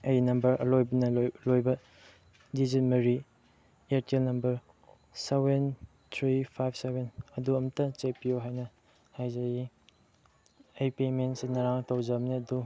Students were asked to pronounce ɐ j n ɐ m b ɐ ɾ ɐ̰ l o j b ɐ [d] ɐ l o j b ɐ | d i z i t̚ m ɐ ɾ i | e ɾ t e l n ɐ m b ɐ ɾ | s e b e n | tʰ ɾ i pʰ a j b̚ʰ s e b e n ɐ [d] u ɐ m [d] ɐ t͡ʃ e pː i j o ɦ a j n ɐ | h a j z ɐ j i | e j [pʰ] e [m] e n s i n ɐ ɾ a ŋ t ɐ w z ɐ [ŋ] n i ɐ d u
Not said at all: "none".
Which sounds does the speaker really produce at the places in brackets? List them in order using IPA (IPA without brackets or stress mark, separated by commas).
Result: n, d, t, p, m, m